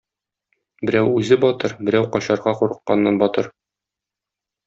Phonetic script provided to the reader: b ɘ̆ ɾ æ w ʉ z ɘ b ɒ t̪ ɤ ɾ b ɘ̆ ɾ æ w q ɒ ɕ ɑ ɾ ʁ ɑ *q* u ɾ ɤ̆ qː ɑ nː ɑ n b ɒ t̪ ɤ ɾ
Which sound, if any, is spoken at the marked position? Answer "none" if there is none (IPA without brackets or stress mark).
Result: q